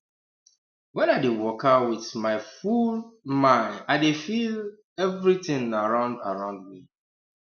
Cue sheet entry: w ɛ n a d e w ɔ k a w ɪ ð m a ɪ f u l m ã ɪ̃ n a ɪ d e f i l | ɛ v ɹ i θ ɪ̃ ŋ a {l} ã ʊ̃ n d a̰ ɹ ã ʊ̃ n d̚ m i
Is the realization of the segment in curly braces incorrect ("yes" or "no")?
yes